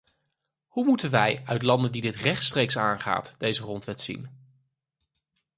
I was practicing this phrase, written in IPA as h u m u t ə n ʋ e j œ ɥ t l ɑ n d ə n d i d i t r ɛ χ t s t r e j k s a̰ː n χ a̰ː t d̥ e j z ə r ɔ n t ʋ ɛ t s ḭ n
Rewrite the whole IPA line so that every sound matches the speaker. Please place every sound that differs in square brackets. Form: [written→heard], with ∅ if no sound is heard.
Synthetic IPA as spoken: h u m u t ə n ʋ [e→ɛ] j œ ɥ t l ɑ n d ə n d i d [i→ɪ] t r ɛ χ t s t r e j k s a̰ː n χ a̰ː t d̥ e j z ə r ɔ n t ʋ ɛ t s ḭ n